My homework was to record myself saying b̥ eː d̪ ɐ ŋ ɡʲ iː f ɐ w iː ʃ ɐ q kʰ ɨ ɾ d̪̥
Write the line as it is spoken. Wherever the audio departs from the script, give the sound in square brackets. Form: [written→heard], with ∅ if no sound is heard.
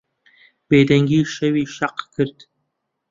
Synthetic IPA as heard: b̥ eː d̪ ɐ ŋ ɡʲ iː [f→ʃ] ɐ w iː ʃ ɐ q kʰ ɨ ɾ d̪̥